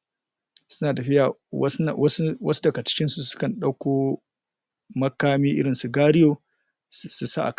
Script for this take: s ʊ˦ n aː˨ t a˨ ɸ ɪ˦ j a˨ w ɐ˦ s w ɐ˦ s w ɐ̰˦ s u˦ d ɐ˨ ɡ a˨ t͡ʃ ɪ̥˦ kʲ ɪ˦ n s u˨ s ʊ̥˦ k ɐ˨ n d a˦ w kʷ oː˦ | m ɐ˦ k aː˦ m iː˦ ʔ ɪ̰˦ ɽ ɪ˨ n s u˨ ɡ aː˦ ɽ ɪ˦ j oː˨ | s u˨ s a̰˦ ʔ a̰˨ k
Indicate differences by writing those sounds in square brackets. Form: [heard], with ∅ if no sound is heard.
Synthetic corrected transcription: s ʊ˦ n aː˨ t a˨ ɸ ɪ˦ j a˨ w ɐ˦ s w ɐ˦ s w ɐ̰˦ s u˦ d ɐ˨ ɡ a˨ t͡ʃ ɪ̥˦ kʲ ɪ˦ n s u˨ s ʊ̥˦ k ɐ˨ n [ɗ] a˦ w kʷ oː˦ | m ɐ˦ k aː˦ m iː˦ ʔ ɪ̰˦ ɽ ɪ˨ n s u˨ ɡ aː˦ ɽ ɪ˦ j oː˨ | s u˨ s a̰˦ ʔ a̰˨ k